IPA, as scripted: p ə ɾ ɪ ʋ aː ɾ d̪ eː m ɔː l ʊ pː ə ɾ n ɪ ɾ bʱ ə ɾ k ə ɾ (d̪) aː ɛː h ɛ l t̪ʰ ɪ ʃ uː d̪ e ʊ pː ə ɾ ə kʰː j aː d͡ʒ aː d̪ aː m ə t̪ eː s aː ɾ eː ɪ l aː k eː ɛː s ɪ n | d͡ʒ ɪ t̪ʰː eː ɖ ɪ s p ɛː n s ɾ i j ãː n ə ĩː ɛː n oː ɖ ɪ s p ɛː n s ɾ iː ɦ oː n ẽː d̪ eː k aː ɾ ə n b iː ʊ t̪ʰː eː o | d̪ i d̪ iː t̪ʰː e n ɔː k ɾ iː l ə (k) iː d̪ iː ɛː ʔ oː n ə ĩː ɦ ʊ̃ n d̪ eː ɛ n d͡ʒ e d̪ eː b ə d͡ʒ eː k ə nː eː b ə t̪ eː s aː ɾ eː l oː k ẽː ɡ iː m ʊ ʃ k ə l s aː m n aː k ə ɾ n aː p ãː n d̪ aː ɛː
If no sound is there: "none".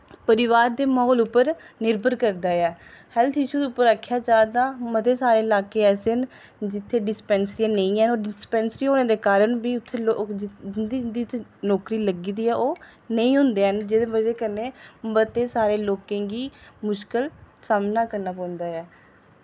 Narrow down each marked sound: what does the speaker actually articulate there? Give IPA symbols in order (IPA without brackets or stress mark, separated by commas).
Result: d̪, ɡ